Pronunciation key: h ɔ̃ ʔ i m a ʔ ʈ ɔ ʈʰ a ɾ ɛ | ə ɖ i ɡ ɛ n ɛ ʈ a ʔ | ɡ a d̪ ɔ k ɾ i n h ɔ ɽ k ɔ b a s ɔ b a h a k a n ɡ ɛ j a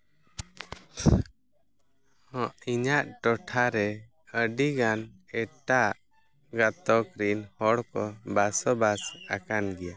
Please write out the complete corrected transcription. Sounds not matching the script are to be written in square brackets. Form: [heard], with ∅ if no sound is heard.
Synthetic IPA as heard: h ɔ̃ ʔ i [ɲ] a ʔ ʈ ɔ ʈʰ a ɾ ɛ | ə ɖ i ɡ [a] n ɛ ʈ a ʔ | ɡ a [t̪] ɔ k ɾ i n h ɔ ɽ k ɔ b a s ɔ b a [s] a k a n ɡ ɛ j a